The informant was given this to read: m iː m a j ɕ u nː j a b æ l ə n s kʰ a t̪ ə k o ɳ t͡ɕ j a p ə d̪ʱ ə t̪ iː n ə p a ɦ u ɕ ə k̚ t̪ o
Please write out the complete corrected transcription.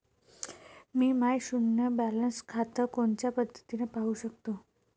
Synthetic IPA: m iː m a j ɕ u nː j ə b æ l ə n s kʰ a t̪ ə k o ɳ t͡ɕ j a p ə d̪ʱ ə t̪ i n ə p a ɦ u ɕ ə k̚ t̪ o